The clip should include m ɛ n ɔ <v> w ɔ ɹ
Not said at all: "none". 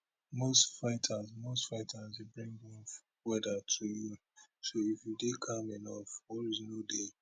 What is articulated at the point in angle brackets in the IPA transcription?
f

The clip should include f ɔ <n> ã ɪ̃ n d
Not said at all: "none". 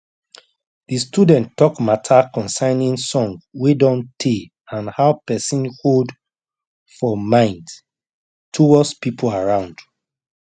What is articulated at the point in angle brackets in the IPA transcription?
m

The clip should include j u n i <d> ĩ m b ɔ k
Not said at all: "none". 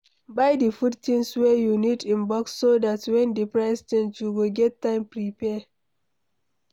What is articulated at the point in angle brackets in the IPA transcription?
d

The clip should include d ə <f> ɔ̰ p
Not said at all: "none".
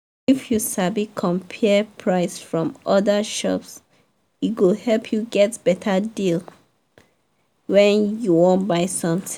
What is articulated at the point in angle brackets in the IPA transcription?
ʃ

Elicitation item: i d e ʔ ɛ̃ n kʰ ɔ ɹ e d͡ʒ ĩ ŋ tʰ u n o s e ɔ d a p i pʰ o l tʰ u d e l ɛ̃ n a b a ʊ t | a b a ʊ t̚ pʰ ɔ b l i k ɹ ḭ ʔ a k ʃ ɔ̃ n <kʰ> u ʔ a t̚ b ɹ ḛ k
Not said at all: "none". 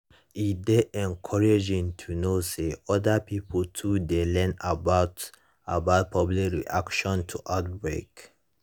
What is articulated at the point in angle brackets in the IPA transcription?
tʰ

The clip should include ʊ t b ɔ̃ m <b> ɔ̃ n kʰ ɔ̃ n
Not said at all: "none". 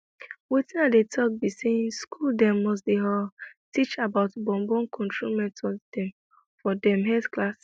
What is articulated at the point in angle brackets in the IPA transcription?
b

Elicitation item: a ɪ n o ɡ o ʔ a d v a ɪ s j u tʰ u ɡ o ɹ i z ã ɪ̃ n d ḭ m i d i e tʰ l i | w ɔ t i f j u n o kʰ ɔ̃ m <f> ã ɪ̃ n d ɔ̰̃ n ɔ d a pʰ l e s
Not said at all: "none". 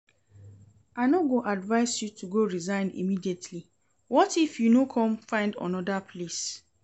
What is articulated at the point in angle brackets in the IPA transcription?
f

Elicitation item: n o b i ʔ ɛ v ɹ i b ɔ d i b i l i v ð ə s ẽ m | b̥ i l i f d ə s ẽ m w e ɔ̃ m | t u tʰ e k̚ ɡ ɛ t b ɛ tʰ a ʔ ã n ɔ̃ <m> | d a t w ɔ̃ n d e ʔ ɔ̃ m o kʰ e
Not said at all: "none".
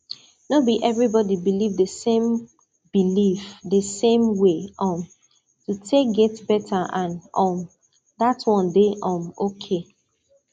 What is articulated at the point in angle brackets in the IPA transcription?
m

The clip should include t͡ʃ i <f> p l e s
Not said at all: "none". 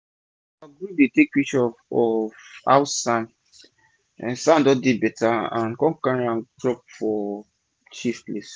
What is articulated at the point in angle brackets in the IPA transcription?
f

